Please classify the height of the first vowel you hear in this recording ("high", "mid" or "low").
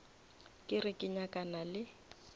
high